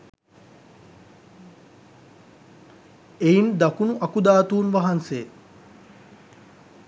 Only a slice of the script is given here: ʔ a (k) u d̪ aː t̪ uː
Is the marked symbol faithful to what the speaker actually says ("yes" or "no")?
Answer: yes